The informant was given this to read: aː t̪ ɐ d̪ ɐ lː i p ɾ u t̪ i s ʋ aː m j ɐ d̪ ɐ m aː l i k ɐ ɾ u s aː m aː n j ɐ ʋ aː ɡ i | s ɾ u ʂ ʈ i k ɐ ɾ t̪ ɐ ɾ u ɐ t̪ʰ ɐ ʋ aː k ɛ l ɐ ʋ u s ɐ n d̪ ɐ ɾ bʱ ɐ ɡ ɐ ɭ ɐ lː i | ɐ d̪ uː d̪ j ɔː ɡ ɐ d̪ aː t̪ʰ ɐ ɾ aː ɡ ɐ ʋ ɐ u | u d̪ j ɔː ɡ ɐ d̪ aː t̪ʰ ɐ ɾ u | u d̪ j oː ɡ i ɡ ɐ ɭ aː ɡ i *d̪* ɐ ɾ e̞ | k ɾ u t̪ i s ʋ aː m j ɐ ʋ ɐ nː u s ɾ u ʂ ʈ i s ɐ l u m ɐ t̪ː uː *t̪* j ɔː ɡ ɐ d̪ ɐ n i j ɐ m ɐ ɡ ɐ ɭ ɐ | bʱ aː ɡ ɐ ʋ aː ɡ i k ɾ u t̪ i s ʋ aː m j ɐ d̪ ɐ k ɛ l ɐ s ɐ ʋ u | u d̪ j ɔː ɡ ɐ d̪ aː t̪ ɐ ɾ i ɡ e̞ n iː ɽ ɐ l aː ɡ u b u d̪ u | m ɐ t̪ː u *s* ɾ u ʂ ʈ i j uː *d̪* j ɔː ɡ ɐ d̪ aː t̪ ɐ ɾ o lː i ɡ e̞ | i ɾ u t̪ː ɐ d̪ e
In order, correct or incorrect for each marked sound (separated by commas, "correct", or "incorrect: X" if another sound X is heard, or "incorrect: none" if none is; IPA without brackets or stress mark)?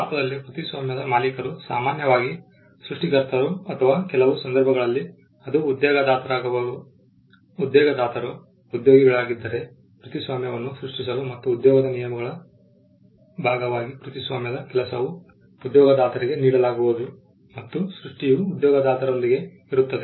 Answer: incorrect: d̪ː, incorrect: d̪, correct, correct